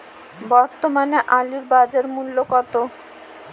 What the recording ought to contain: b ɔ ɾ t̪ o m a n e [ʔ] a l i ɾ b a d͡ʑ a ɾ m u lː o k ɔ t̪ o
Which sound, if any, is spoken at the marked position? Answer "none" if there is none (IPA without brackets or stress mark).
ʔ